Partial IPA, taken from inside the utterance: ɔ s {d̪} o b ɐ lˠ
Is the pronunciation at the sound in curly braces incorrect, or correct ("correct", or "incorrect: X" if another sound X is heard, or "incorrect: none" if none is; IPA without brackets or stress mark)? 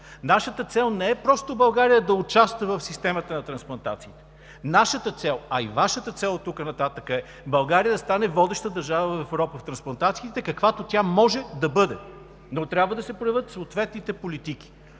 incorrect: t̪